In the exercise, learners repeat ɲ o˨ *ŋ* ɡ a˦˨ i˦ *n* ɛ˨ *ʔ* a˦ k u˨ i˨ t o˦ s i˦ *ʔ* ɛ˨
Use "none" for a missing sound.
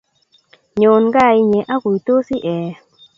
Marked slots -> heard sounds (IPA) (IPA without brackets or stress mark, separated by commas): n, ɲ, ʔ, ʔ